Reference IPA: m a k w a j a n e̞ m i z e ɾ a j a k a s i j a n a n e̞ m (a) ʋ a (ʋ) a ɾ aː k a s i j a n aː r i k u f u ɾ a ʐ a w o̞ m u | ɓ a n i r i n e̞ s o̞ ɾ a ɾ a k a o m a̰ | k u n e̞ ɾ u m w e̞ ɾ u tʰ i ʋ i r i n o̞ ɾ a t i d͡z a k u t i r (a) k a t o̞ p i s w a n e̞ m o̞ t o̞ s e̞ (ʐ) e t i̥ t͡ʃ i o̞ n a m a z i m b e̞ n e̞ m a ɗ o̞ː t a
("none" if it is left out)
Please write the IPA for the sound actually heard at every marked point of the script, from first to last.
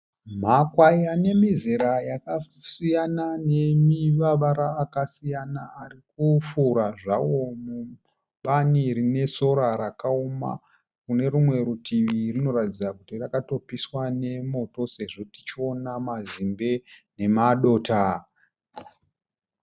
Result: i, ʋ, a, ʐ

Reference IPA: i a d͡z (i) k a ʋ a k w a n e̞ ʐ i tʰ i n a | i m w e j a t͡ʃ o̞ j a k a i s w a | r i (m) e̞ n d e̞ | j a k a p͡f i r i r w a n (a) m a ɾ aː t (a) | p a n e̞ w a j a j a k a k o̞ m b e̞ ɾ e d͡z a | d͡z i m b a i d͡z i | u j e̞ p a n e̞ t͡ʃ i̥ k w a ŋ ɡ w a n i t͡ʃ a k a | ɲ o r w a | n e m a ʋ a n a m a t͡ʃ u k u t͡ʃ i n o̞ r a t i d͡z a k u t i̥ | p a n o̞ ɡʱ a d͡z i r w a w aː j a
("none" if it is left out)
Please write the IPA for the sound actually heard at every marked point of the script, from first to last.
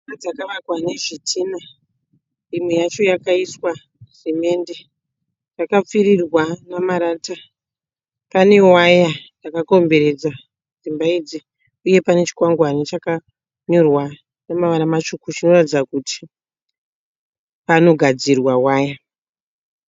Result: a, m, a, a

